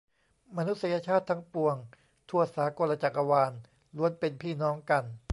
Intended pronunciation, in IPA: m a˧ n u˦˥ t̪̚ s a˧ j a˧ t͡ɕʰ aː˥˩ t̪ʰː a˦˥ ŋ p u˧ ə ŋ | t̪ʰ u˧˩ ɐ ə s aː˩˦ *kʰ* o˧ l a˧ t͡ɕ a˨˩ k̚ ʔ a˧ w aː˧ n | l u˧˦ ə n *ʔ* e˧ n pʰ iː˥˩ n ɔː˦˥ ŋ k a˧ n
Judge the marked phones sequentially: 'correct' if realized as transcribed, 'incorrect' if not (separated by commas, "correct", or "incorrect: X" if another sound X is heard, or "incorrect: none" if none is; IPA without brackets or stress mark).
incorrect: k, incorrect: p